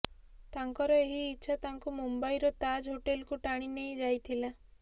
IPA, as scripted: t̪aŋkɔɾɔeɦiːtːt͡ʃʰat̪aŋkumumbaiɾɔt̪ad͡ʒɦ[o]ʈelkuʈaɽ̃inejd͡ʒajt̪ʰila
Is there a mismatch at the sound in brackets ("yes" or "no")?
no